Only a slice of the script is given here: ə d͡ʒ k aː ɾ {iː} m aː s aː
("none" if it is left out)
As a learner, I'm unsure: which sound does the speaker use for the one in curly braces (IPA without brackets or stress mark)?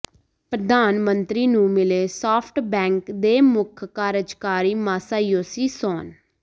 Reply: iː